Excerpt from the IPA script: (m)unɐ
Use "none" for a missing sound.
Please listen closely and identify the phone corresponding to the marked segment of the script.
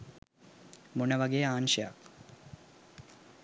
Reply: m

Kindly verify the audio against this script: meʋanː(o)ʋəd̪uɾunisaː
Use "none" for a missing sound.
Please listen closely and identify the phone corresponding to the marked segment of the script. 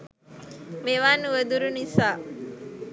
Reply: u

